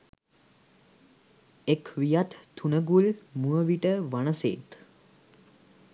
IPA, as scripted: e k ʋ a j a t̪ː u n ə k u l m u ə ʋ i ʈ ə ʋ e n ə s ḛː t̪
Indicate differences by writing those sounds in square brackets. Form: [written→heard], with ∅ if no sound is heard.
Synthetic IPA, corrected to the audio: e k ʋ [a→i] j a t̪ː u n ə [k→ɡ] u l m u ə ʋ i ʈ ə ʋ [e→a] n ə s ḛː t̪